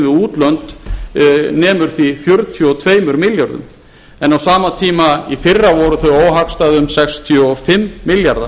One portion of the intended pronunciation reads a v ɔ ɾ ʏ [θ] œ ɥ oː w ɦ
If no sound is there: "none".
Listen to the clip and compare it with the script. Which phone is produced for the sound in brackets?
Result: θ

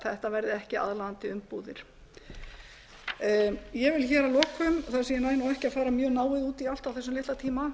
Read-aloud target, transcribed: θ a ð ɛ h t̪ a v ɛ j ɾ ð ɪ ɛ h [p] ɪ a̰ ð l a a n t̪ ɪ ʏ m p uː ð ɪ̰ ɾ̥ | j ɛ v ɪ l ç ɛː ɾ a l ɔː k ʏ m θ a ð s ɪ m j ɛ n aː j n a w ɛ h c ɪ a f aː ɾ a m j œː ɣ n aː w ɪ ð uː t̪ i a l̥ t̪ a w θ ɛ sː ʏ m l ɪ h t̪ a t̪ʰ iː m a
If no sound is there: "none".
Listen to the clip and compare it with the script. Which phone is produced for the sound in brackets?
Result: c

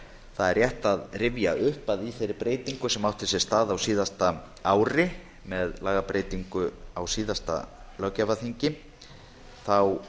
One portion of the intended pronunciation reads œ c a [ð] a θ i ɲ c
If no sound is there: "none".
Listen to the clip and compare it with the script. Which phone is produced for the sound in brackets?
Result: v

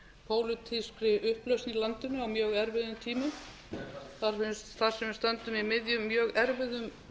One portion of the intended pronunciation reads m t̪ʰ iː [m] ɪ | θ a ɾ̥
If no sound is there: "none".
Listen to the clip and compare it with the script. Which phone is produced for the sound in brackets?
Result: m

